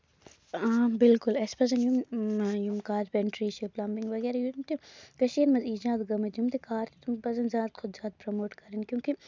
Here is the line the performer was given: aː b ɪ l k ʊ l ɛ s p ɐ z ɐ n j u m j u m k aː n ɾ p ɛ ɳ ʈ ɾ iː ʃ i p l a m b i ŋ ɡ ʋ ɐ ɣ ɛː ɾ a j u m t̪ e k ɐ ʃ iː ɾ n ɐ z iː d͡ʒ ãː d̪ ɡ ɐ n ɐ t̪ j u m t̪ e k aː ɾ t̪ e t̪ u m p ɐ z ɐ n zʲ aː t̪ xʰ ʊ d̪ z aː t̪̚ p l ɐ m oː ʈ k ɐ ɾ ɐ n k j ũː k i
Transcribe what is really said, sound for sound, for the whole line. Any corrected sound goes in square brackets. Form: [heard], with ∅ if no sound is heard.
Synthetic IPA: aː b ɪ l k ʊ l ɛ s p ɐ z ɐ n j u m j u m k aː [∅] ɾ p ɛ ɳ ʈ ɾ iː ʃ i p l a m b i ŋ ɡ ʋ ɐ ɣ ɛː ɾ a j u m t̪ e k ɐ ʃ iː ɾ [m] ɐ z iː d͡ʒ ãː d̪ ɡ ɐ [m] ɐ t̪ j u m t̪ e k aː ɾ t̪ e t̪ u m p ɐ z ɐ n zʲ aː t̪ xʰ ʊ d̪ z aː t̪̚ p [ɾ] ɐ m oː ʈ k ɐ ɾ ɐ n k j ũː k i

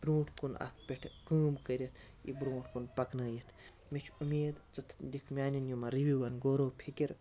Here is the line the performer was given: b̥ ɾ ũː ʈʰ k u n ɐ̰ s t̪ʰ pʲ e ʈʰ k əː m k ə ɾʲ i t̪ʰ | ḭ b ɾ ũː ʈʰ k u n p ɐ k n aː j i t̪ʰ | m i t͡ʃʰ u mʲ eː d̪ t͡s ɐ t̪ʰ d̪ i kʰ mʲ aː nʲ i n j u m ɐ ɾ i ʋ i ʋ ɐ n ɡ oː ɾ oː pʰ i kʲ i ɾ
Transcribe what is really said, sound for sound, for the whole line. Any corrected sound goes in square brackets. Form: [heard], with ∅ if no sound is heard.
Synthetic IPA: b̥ ɾ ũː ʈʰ k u n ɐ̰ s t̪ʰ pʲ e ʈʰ k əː m k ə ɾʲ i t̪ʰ | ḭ b ɾ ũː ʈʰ k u n p ɐ k n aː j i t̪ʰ | m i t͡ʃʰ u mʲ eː d̪ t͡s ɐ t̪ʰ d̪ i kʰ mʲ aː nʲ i n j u m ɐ ɾ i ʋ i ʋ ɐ n ɡ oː ɾ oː pʰ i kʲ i ɾ

